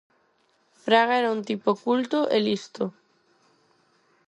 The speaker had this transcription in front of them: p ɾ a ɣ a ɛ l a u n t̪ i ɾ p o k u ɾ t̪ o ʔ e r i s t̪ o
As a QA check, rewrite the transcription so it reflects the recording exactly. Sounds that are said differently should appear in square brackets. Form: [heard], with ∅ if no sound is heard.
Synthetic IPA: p ɾ a ɣ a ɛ [ɾ] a u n t̪ i [∅] p o k u [l] t̪ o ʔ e [l] i s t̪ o